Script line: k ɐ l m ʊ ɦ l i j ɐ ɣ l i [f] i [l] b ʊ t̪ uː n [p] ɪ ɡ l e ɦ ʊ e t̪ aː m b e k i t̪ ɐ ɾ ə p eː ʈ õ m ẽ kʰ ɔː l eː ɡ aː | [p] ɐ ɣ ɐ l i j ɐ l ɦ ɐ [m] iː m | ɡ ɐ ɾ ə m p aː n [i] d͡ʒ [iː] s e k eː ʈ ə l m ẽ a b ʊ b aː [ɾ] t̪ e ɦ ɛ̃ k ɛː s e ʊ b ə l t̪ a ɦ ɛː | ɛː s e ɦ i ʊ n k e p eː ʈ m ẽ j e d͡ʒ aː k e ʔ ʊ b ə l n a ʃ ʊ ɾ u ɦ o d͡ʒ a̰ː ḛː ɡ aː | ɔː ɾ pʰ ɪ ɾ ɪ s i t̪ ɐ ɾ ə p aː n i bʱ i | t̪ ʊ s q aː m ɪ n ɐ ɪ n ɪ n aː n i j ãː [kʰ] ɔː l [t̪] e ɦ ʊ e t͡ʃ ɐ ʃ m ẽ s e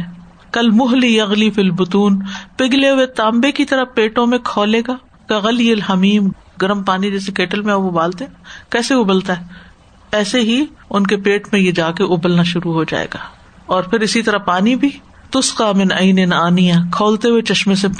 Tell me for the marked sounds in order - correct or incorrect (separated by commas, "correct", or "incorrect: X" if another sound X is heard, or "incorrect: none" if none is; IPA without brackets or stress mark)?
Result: correct, correct, correct, incorrect: k, correct, correct, incorrect: ɛː, incorrect: l, correct, correct